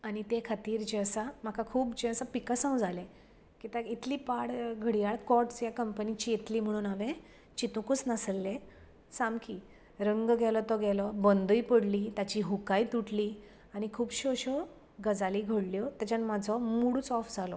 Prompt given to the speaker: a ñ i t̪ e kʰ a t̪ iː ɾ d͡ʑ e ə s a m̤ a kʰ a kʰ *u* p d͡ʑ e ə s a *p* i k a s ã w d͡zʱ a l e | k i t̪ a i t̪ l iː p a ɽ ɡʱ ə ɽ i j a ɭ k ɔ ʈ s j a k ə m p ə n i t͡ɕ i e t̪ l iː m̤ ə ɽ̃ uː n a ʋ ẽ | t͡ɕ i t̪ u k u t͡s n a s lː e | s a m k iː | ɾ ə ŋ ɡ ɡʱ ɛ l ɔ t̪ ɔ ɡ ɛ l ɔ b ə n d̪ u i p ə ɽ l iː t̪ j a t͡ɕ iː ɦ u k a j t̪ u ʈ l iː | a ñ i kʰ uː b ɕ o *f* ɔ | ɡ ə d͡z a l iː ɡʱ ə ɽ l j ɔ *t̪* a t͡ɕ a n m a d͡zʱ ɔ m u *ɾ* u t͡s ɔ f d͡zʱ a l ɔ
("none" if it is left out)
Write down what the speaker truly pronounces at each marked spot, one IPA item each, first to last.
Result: uː, p, ɕ, t̪, ɽ

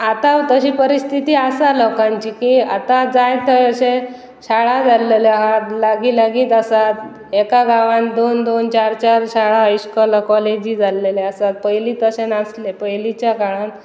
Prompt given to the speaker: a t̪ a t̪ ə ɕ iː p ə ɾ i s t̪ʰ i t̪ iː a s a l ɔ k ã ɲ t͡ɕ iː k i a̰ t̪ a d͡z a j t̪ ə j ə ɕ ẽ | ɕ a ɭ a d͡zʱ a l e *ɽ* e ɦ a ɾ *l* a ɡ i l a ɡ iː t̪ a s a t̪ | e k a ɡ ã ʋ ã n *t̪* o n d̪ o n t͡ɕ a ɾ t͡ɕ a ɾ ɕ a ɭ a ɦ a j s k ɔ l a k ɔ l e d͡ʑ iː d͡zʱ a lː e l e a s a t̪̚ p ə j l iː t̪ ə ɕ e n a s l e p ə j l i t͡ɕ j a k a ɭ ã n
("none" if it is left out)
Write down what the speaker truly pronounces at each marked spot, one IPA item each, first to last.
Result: l, l, d̪

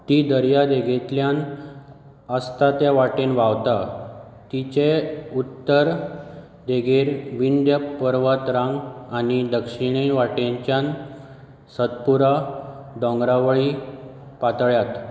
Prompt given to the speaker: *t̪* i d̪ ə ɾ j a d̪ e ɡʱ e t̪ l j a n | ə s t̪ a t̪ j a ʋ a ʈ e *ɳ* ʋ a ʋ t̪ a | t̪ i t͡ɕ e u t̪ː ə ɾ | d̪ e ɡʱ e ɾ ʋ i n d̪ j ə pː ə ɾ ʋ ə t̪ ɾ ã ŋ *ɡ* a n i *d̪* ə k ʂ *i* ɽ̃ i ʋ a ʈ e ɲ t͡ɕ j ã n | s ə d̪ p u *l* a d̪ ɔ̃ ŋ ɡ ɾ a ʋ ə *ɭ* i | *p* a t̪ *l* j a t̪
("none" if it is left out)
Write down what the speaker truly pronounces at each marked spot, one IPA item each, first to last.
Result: t̪, n, ɡ, d̪, i, ɾ, ɭ, p, ɭ

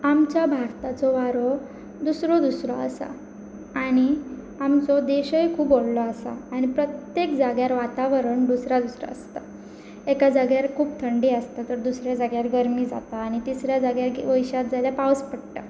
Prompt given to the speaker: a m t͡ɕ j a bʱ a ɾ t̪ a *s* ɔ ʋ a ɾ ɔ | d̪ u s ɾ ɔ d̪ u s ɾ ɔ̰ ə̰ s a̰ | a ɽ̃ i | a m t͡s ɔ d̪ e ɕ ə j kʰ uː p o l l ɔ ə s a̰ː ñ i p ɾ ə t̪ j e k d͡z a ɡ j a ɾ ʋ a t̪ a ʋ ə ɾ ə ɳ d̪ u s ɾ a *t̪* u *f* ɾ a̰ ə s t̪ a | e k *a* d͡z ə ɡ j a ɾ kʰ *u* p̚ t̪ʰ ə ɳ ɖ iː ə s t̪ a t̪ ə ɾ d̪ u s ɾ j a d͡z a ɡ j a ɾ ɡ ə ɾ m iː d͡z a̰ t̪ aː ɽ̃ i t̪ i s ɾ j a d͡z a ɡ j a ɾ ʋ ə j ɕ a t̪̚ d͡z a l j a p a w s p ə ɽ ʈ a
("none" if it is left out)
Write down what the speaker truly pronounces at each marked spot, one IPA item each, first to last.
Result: t͡s, d̪, s, a, uː

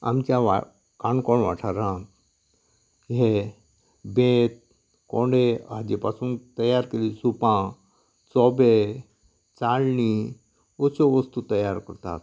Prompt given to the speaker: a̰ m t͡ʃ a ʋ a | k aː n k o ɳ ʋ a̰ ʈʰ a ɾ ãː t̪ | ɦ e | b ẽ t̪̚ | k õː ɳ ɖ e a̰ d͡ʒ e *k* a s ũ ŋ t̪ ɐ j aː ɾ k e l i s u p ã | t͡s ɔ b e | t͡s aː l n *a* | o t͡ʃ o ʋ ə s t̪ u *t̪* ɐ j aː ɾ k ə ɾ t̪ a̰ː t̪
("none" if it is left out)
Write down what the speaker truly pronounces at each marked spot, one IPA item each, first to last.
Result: p, i, t̪

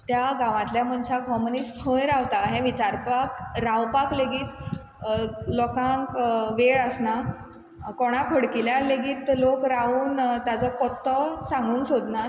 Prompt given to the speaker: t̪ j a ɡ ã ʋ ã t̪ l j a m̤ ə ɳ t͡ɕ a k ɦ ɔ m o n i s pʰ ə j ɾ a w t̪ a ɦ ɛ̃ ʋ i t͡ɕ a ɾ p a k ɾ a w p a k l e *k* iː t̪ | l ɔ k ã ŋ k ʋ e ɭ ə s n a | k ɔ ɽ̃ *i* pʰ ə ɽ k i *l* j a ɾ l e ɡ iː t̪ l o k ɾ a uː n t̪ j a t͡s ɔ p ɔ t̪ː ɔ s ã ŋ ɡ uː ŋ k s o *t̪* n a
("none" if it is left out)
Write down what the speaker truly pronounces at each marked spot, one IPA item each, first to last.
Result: ɡ, a, l, d̪

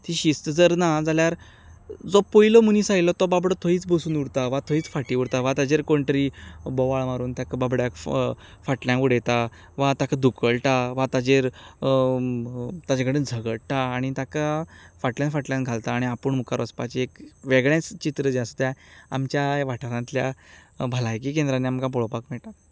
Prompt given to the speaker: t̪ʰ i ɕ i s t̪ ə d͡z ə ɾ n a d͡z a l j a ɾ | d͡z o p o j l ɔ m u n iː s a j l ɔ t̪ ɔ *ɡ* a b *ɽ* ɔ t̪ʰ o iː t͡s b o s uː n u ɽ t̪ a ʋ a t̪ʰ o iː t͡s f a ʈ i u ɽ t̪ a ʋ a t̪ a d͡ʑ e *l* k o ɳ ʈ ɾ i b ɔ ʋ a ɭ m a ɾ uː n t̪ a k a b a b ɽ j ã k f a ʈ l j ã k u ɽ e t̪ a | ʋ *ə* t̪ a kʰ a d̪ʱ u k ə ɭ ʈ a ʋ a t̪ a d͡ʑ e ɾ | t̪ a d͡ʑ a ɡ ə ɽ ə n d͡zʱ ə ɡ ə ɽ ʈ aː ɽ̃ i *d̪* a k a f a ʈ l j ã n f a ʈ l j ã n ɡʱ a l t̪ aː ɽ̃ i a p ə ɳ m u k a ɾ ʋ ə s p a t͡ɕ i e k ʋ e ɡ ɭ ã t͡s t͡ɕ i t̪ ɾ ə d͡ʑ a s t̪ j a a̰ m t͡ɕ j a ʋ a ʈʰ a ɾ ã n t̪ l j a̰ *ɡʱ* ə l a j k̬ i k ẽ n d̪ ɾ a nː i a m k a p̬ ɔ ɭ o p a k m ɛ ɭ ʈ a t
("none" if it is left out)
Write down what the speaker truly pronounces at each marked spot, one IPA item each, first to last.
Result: b, ɽ, ɾ, a, t̪, bʱ

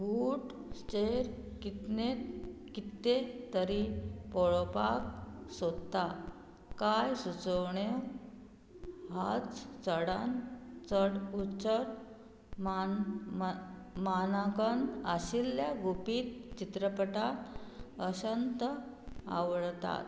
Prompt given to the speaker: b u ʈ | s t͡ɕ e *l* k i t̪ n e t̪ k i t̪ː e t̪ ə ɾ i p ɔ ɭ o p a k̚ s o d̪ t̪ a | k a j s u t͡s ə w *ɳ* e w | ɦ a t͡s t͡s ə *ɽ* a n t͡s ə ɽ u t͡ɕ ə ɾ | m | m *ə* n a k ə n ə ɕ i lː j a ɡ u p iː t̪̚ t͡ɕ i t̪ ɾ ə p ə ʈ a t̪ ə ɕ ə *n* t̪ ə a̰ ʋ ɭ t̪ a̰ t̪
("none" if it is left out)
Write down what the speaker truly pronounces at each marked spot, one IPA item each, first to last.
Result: ɾ, ɳ, ɽ, a, n

